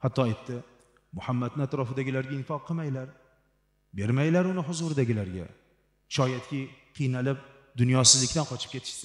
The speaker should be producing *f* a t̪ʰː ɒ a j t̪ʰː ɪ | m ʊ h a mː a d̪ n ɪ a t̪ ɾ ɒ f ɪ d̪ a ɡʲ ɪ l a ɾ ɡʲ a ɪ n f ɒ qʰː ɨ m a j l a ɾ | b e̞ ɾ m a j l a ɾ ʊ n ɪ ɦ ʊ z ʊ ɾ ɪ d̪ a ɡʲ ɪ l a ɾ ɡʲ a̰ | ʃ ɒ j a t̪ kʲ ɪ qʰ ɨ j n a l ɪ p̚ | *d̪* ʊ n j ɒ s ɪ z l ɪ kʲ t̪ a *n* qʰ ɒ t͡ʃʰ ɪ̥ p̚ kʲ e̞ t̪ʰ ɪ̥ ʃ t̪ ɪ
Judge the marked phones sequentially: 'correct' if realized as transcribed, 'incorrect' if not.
incorrect, correct, correct

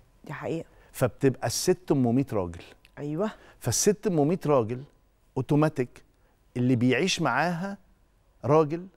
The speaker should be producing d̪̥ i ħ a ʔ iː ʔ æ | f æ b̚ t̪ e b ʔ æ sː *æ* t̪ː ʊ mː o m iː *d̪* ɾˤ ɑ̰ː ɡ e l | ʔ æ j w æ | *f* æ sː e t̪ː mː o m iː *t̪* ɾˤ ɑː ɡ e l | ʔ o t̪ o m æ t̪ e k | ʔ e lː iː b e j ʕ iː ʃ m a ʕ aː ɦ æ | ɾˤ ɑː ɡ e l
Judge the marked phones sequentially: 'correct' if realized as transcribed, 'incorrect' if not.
incorrect, incorrect, correct, correct

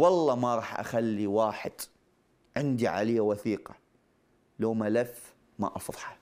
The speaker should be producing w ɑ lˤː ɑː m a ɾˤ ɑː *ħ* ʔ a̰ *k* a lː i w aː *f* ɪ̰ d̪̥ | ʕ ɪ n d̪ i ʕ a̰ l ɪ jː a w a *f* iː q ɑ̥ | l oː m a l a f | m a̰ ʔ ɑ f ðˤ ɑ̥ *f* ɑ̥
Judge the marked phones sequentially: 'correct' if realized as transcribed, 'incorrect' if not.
correct, incorrect, incorrect, incorrect, incorrect

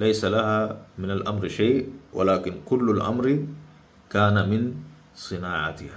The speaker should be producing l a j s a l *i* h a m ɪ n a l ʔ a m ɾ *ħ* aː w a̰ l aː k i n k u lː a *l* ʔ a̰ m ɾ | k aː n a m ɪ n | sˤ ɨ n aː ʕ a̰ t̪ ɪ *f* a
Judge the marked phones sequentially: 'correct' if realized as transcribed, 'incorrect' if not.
incorrect, incorrect, correct, incorrect

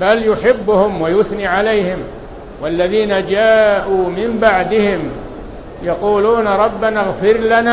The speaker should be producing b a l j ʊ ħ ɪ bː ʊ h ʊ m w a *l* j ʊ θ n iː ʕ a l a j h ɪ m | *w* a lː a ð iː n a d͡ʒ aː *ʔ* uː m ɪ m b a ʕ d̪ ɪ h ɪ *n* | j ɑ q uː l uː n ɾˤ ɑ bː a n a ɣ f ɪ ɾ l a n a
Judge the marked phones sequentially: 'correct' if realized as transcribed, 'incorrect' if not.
incorrect, correct, correct, incorrect

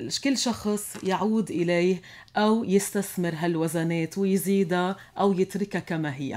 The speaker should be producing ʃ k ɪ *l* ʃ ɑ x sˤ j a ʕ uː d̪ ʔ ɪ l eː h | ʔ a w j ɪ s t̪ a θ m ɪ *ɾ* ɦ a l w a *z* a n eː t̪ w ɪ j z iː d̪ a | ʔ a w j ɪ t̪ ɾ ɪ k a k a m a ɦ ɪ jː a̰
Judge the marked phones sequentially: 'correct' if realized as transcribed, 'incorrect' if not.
incorrect, correct, correct

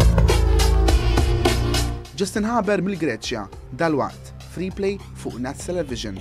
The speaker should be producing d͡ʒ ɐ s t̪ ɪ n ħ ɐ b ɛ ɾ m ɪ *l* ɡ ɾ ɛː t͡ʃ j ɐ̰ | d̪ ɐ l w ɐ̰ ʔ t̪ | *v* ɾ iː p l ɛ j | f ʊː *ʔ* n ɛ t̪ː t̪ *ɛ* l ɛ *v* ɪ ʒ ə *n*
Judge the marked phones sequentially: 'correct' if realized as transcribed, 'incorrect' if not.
correct, incorrect, correct, correct, correct, correct

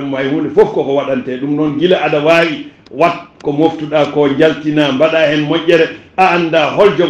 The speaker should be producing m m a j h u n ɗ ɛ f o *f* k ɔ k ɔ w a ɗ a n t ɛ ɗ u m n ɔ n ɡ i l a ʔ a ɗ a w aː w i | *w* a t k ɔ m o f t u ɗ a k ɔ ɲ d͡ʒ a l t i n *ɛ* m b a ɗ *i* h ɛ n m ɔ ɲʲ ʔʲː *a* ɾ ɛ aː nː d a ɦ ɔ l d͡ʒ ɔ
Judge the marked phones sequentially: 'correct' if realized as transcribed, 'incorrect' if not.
correct, correct, incorrect, incorrect, incorrect

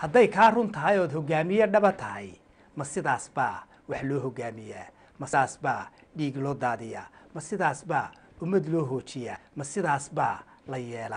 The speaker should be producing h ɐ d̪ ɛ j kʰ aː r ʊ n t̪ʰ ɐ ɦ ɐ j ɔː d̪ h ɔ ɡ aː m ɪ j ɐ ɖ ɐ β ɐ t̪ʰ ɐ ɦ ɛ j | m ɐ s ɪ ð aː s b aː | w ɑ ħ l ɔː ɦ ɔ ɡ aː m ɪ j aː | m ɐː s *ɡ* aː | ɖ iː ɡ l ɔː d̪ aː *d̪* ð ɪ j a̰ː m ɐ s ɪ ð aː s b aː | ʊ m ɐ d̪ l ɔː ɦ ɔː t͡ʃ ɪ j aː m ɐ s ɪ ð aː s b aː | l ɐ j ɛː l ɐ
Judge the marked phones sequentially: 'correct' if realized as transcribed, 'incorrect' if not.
incorrect, incorrect

